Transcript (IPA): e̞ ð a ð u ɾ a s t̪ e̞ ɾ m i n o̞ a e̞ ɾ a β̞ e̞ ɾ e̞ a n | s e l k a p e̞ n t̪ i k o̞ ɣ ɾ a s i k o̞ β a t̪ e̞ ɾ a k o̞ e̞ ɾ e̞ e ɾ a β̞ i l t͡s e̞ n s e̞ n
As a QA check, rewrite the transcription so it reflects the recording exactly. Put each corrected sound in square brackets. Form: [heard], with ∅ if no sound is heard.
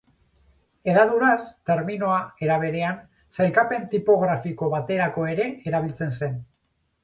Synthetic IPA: e̞ ð a ð u ɾ a s t̪ e̞ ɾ m i n o̞ a e̞ ɾ a β̞ e̞ ɾ e̞ a n | s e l k a p e̞ n t̪ i [p] o̞ ɣ ɾ a [f] i k o̞ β a t̪ e̞ ɾ a k o̞ e̞ ɾ e̞ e ɾ a β̞ i l t͡s e̞ n s e̞ n